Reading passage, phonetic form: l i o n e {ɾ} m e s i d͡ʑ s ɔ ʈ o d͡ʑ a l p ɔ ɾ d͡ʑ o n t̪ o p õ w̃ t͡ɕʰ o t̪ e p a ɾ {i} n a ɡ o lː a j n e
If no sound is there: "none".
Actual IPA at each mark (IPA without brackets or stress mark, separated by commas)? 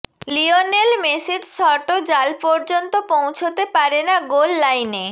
l, e